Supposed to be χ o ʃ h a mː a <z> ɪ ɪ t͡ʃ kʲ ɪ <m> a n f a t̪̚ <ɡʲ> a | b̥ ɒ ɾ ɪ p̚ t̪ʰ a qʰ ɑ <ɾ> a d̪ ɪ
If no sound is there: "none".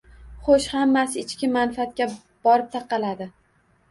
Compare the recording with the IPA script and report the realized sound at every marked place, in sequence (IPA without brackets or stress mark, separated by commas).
s, m, kʲ, l